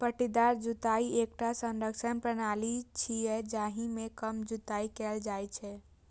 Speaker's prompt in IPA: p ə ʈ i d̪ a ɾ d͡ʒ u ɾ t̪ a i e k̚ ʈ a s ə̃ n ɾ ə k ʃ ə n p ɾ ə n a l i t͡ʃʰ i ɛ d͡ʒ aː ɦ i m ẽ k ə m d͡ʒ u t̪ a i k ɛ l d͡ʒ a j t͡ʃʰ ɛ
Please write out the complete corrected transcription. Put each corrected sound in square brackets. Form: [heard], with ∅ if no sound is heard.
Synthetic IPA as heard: p ə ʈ i d̪ a ɾ d͡ʒ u [∅] t̪ a i e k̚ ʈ a s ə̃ n ɾ ə k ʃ ə n p ɾ ə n a l i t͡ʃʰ i ɛ d͡ʒ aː ɦ i m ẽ k ə m d͡ʒ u t̪ a i k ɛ l d͡ʒ a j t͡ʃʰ ɛ